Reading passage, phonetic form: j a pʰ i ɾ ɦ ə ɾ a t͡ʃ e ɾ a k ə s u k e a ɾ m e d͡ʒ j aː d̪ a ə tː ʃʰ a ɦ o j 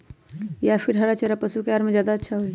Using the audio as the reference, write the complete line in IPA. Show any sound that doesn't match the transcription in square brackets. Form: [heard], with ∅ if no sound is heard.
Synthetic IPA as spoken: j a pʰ i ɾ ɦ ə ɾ a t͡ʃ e ɾ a [p] ə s u k e a ɾ m e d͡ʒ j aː d̪ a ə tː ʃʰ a ɦ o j